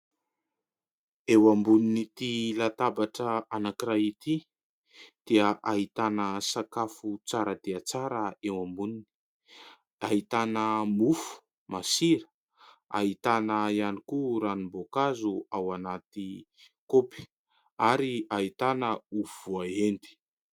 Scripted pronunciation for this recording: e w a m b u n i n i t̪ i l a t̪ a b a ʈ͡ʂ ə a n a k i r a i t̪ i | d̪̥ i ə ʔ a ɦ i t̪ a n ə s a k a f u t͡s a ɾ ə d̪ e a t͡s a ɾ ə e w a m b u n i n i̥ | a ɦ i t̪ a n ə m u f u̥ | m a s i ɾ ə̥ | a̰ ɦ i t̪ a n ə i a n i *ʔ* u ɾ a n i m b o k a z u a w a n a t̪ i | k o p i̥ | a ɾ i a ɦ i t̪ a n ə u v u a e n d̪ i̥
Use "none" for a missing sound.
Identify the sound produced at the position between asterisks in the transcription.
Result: k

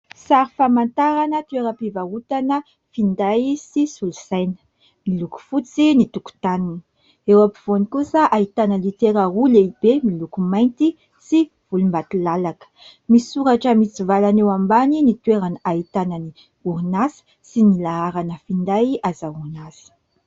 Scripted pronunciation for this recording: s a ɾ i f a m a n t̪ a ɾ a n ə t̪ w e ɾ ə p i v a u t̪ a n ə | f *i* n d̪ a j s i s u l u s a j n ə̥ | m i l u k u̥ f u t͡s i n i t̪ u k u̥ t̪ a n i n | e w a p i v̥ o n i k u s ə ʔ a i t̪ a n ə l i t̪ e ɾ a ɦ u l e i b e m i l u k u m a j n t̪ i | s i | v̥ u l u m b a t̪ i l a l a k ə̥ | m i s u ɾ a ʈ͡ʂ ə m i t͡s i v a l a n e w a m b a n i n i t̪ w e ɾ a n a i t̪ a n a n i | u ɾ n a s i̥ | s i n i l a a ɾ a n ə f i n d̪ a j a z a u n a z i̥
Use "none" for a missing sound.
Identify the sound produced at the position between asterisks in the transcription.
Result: i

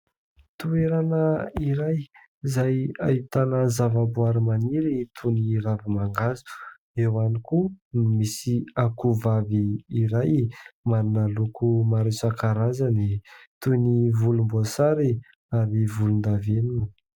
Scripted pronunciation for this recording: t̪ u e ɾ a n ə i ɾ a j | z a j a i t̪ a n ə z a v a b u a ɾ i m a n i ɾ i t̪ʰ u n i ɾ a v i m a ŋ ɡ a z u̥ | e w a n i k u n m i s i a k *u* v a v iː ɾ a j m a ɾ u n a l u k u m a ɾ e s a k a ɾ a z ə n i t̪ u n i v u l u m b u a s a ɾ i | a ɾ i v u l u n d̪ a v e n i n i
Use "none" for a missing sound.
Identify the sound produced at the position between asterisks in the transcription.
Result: u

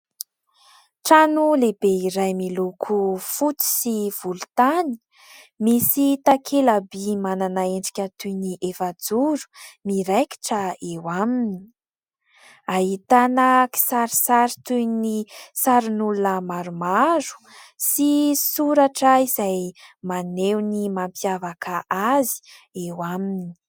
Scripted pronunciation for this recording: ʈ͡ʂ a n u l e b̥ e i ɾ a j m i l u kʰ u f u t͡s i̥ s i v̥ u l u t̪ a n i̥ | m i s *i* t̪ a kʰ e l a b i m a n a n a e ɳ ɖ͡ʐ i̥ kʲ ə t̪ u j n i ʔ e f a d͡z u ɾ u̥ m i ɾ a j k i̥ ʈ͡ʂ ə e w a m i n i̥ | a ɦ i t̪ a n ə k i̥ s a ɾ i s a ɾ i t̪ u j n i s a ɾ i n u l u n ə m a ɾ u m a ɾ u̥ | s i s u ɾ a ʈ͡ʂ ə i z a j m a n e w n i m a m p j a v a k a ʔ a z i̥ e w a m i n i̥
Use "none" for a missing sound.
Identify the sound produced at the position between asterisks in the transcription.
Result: i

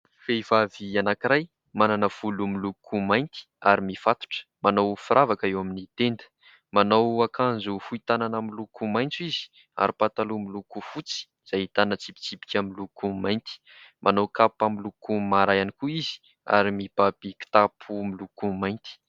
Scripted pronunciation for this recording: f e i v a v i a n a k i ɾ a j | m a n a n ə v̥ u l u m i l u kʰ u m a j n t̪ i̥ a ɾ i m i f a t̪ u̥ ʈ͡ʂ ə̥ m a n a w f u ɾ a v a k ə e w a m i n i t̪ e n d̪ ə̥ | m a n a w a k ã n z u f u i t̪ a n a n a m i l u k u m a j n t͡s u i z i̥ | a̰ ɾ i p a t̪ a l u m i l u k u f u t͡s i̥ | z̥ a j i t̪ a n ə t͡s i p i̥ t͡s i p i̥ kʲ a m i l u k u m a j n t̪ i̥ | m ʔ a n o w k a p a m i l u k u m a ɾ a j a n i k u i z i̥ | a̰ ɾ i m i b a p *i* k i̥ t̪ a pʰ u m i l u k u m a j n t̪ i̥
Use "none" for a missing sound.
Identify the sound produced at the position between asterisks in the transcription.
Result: i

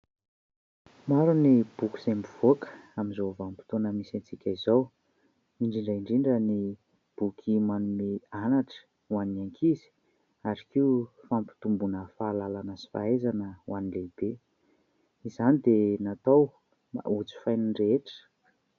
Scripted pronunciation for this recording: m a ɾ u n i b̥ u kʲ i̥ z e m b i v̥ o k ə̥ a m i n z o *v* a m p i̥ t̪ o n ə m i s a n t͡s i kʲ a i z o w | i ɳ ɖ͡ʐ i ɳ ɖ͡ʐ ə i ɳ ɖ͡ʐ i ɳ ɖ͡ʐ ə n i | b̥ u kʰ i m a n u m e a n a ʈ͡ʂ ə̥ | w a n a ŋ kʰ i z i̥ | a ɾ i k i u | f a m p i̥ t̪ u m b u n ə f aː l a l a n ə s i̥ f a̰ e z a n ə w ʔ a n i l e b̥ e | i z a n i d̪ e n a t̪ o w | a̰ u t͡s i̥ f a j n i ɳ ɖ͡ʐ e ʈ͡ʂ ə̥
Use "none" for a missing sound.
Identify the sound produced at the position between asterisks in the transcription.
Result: v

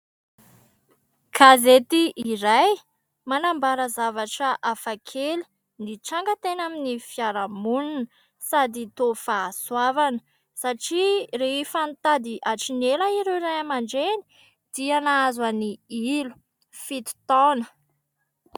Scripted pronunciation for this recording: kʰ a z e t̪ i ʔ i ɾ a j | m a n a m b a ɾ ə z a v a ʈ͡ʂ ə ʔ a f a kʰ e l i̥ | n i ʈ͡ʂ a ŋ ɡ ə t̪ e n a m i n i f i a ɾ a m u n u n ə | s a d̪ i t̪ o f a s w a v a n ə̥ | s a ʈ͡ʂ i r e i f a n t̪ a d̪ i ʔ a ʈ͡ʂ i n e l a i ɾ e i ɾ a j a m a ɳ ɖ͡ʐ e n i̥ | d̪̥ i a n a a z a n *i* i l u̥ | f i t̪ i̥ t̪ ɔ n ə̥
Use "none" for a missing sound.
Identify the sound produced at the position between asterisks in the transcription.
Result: i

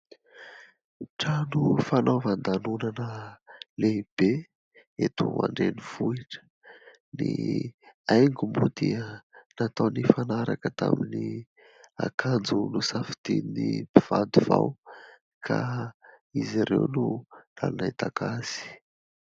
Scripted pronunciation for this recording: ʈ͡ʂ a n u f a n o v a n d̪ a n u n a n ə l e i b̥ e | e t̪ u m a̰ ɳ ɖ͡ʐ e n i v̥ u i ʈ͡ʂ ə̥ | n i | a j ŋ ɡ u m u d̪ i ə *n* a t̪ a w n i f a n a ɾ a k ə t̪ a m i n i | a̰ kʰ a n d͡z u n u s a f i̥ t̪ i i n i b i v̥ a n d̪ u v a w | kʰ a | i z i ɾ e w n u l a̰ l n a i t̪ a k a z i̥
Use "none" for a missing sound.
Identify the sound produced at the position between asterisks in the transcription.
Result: n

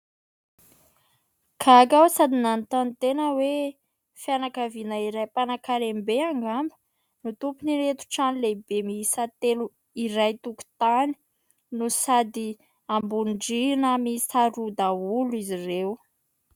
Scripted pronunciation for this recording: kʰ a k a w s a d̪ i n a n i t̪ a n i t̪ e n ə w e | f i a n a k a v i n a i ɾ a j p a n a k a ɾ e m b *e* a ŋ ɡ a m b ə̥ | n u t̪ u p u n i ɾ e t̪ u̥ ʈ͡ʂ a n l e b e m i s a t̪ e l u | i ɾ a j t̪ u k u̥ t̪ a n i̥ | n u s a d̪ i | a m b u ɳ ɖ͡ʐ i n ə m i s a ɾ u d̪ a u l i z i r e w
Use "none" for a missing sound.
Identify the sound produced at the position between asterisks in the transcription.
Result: e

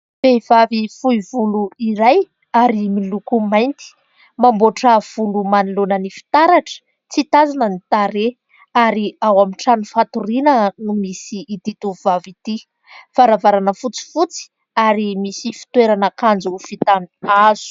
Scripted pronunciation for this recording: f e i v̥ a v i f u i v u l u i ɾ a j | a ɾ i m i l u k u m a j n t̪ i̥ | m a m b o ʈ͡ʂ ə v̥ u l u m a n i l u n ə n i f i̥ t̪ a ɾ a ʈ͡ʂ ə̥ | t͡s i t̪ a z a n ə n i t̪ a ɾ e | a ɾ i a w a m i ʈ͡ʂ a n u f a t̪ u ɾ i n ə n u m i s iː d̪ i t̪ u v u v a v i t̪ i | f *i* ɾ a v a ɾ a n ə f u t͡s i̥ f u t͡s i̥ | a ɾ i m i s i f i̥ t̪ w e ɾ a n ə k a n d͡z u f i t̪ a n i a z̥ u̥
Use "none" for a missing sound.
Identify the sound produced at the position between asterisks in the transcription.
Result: a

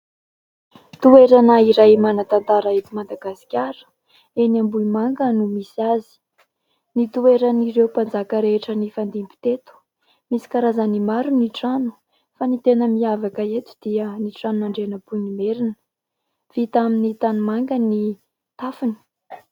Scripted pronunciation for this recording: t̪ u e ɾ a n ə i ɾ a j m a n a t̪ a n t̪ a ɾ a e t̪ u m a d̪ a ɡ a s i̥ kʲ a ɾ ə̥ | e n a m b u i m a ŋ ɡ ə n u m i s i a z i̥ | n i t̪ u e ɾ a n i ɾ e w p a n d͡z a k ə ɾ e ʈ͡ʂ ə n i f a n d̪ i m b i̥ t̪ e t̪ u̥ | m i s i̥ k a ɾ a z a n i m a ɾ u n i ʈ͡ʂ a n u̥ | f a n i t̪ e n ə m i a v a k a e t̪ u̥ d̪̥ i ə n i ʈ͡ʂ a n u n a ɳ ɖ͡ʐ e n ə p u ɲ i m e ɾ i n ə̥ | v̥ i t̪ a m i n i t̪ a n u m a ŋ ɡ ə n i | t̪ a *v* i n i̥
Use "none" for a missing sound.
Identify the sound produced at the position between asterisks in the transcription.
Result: f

